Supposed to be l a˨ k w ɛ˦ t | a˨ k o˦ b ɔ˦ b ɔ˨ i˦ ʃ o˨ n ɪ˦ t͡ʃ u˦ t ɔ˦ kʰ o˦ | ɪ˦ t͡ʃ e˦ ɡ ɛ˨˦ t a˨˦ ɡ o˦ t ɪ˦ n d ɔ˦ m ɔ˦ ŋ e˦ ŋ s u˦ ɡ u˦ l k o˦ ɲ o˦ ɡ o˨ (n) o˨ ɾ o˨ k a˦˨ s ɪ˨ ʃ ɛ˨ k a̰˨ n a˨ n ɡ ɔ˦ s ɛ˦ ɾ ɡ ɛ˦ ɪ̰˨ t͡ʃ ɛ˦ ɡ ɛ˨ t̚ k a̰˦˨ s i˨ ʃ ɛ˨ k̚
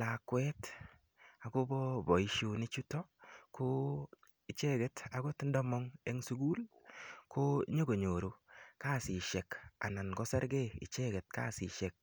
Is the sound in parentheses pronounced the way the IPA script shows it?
no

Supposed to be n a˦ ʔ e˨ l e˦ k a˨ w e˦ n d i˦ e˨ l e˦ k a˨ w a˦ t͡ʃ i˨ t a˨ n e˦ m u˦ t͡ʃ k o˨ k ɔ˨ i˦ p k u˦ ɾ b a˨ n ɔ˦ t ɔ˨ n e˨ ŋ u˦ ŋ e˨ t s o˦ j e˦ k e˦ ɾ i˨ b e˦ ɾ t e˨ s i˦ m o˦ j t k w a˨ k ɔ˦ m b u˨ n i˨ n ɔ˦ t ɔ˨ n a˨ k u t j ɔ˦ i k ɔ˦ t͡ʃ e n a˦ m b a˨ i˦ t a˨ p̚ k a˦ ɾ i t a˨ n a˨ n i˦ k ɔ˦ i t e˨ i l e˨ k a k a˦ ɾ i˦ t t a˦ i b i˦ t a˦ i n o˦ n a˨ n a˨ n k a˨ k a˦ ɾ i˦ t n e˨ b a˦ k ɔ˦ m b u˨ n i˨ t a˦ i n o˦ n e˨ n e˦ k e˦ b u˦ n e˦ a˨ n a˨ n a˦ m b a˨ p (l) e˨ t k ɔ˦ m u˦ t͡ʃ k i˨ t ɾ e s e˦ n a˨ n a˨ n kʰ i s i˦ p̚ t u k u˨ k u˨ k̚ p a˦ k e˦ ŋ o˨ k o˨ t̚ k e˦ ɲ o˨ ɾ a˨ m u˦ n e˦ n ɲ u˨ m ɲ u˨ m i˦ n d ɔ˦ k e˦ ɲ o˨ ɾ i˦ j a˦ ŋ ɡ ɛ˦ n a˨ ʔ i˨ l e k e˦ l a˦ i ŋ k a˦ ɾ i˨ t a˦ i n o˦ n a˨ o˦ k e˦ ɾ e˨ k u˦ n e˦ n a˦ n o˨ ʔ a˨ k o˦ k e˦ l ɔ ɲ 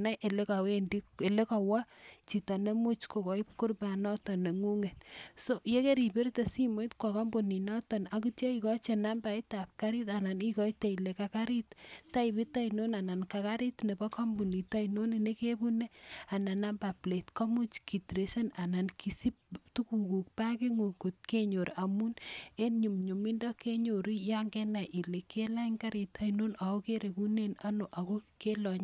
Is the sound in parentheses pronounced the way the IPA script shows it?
yes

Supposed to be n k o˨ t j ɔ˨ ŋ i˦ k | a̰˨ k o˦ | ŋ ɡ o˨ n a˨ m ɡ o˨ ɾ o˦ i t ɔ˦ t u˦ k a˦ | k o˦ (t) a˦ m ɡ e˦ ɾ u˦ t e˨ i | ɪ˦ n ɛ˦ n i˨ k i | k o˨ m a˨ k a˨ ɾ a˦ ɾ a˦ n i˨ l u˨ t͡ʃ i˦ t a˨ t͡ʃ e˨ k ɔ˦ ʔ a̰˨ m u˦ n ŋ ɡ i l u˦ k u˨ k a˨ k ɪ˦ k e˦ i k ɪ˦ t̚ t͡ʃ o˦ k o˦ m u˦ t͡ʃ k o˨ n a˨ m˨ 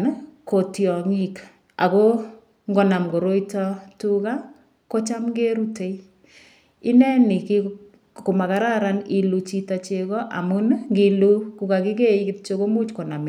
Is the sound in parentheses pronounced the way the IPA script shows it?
no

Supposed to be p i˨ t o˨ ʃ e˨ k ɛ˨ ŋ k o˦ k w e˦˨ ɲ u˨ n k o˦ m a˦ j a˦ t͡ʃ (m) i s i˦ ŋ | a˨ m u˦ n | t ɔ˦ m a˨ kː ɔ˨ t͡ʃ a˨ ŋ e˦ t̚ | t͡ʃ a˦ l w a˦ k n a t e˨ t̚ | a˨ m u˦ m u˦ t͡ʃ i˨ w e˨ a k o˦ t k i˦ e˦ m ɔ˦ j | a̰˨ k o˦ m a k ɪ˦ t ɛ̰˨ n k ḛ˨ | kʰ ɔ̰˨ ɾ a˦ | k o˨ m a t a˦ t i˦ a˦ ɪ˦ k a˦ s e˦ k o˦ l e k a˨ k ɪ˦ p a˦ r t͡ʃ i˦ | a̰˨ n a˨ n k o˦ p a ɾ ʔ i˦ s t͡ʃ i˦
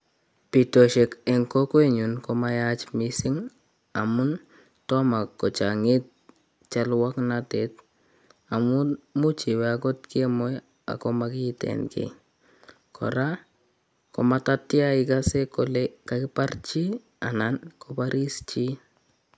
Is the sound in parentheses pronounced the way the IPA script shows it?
yes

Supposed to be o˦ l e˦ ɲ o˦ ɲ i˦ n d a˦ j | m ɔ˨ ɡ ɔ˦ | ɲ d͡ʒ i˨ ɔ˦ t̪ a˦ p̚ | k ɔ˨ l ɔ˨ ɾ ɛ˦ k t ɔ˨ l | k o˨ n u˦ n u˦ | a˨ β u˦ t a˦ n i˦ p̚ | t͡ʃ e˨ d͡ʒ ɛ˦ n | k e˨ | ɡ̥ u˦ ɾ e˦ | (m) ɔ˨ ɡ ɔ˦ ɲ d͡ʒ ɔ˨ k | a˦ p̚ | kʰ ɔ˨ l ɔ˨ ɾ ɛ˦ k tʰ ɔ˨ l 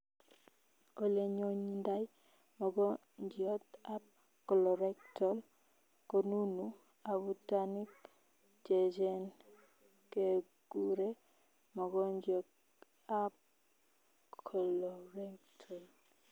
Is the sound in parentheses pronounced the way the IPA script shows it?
yes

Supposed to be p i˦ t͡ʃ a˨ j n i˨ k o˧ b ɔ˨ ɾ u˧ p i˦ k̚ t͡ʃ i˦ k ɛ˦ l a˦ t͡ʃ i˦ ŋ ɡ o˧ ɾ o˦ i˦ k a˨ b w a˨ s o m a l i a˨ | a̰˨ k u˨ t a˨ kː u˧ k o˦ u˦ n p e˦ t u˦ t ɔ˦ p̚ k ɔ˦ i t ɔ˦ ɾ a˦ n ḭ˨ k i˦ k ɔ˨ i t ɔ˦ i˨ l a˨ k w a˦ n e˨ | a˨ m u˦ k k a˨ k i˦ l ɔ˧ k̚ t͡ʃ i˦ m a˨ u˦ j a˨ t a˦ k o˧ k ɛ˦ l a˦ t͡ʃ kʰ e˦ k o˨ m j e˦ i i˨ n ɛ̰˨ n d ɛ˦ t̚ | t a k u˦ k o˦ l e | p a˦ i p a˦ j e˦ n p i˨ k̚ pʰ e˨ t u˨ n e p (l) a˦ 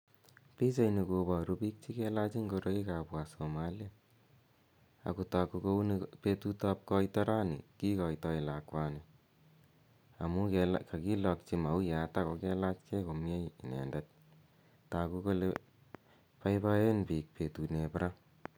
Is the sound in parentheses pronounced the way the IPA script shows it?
no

